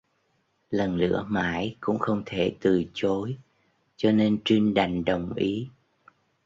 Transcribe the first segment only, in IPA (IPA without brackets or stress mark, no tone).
l